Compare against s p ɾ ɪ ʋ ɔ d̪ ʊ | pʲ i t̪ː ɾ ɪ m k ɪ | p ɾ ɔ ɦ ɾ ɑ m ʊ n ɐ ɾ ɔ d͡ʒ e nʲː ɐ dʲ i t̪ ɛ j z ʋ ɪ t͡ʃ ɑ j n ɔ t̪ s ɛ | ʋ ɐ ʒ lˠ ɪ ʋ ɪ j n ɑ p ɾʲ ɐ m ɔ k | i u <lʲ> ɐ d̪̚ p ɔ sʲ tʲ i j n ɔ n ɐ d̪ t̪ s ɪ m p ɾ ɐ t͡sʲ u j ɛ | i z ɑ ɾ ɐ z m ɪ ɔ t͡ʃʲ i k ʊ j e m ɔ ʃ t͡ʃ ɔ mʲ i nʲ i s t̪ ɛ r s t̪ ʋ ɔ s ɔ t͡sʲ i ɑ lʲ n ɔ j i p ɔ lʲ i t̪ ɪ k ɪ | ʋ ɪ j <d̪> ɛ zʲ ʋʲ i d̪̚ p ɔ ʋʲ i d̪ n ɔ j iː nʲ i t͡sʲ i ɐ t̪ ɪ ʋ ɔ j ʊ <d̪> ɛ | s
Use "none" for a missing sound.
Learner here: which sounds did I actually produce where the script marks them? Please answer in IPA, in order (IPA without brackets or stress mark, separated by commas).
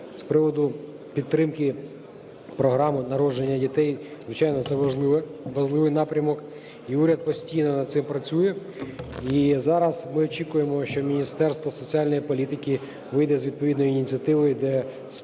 ɾʲ, d̪, d̪